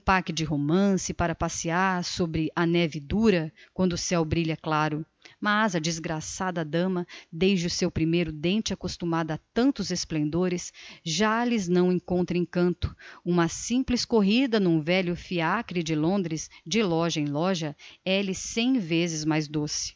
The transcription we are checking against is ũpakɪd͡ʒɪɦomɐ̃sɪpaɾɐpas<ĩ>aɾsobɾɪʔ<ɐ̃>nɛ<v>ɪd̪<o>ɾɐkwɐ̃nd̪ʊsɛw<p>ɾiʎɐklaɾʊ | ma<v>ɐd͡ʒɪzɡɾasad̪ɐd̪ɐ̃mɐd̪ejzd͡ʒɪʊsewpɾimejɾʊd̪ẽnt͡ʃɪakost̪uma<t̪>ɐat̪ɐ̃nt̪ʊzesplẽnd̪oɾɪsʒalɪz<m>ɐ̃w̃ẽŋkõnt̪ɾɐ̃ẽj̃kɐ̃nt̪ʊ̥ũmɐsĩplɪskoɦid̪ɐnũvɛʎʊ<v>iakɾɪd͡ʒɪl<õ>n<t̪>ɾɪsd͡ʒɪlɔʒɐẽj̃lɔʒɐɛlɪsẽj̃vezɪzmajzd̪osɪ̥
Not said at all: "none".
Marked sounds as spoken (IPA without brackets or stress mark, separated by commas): i, ɐ, v, u, b, z, d̪, n, f, õ, d̪